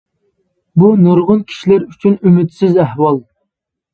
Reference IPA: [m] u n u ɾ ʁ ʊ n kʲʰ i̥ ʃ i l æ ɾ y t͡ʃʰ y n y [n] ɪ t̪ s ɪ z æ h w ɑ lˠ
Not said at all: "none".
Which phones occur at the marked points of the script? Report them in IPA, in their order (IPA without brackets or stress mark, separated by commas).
b, m